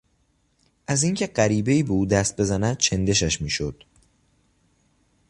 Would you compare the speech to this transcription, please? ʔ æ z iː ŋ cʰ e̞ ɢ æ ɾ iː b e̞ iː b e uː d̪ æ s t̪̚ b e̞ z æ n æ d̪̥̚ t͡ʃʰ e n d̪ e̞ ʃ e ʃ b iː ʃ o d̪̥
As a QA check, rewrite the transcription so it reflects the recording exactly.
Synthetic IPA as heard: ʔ æ z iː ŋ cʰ e̞ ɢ æ ɾ iː b e̞ iː b e uː d̪ æ s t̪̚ b e̞ z æ n æ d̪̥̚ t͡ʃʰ e n d̪ e̞ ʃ æ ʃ m iː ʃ o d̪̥

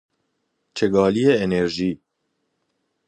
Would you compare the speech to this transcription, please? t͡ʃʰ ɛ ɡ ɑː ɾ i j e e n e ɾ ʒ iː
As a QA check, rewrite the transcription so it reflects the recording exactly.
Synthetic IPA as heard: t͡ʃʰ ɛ ɡ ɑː l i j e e n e ɾ ʒ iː

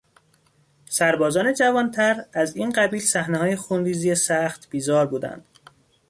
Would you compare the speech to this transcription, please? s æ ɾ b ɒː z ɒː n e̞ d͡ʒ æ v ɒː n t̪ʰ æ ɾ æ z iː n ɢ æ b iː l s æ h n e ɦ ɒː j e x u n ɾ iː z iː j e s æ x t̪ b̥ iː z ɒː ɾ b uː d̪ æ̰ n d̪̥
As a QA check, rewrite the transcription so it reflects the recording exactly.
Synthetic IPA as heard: s æ ɾ b ɒː z ɒː n e̞ d͡ʒ æ v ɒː n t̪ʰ æ ɾ æ z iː n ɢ æ b iː l s æ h n e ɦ ɒː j e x u n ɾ iː z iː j e s æ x t̪ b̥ iː z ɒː ɾ b uː d̪ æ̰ n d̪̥

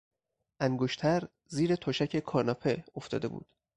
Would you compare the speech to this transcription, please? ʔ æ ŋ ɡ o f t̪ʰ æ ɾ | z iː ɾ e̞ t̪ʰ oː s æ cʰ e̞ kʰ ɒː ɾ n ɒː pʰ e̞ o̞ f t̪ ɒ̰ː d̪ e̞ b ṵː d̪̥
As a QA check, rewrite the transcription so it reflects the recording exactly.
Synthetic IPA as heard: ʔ æ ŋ ɡ o ʃ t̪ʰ æ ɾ | z iː ɾ e̞ t̪ʰ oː ʃ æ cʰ e̞ kʰ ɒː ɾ n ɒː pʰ e̞ o̞ f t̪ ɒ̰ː d̪ e̞ b ṵː d̪̥

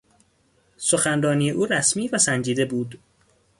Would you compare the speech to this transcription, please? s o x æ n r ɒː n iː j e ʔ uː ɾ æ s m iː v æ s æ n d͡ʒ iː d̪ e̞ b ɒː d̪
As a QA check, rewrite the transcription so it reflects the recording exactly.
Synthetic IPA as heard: s o x æ n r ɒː n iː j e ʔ uː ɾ æ s m iː v æ s æ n d͡ʒ iː d̪ e̞ b uː d̪

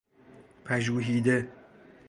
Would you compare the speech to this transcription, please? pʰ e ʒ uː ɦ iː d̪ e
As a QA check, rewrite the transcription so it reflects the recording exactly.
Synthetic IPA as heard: pʰ æ ʒ uː ɦ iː d̪ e

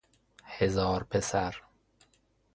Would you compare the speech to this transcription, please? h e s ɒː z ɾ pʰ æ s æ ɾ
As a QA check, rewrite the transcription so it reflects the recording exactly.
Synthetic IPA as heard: h e z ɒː ɾ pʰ e s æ ɾ

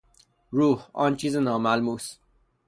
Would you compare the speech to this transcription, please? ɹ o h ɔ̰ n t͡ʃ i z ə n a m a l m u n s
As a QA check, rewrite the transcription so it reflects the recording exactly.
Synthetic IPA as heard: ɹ u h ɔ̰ n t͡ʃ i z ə n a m a l m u s

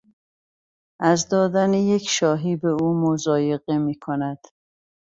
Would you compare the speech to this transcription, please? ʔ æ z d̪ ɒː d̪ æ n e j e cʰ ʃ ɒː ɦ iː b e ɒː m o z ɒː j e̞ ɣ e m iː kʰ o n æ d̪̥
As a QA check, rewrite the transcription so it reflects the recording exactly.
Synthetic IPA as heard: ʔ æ z d̪ ɒː d̪ æ n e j e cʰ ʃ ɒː ɦ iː b e uː m o z ɒː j e̞ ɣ e m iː kʰ o n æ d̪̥

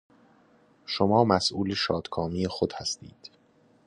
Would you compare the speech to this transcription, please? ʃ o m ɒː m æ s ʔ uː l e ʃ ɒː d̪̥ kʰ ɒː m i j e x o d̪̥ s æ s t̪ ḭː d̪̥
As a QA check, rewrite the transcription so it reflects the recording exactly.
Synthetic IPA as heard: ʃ o m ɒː m æ s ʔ uː l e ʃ ɒː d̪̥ kʰ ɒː m i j e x o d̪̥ h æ s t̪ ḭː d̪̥

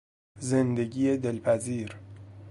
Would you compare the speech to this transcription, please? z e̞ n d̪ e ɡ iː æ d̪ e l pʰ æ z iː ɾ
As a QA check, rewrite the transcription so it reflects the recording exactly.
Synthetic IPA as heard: z e̞ n d̪ e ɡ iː e d̪ e l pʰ æ z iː ɾ

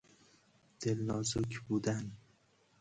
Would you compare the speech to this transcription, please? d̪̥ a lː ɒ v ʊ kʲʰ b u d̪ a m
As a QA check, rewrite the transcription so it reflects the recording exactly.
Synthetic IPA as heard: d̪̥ e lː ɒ z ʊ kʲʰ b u d̪ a n

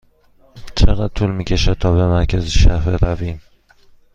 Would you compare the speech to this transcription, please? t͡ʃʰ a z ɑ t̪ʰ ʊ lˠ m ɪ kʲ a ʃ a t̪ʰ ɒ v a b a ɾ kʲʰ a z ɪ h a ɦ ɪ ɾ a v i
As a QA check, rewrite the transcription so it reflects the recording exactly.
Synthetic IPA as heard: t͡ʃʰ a ʁ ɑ t̪ʰ ʊ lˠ m ɪ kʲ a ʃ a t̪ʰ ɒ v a m a ɾ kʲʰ a z ɪ ʃ a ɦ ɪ ɾ a v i

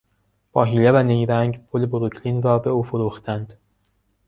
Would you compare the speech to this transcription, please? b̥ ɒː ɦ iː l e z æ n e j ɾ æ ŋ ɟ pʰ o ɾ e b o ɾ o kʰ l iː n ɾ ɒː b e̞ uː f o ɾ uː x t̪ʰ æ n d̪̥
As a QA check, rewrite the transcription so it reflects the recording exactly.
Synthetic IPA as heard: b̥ ɒː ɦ iː l e v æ n e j ɾ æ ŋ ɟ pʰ o l e b o ɾ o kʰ l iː n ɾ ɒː b e̞ uː f o ɾ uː x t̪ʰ æ n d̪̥

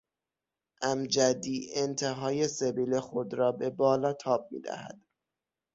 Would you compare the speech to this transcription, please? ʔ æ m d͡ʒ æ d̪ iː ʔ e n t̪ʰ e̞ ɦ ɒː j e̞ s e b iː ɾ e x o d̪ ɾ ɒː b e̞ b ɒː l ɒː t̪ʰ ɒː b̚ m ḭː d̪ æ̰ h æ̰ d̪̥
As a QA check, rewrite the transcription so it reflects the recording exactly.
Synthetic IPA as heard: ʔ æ m d͡ʒ æ d̪ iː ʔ e n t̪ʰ e̞ ɦ ɒː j e̞ s e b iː l e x o d̪ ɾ ɒː b e̞ b ɒː l ɒː t̪ʰ ɒː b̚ m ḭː d̪ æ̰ h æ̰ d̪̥

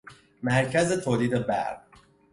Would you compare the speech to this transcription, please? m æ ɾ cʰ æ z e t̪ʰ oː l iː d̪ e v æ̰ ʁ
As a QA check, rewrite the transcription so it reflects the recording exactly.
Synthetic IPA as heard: m æ ɾ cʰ æ z e t̪ʰ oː l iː d̪ e b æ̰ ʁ

